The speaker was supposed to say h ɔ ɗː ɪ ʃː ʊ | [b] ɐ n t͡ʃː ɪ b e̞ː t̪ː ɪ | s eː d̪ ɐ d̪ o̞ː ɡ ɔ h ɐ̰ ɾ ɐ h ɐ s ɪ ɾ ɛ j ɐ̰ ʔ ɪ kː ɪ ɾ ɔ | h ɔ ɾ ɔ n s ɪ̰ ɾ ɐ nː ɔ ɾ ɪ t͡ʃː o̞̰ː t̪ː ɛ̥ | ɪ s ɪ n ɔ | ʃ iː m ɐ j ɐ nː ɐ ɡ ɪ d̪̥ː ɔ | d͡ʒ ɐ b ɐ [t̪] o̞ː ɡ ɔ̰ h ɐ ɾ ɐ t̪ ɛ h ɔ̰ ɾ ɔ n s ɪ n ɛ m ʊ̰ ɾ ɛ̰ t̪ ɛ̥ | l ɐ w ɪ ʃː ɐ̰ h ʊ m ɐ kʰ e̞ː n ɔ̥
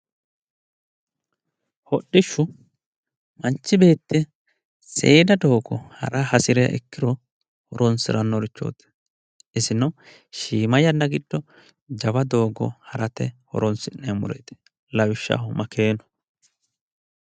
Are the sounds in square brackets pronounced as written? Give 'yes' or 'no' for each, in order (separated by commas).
no, no